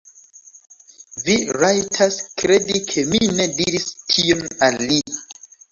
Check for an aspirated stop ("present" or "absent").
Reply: present